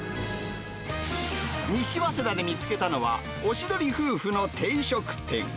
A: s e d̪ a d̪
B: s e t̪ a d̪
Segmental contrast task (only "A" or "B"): A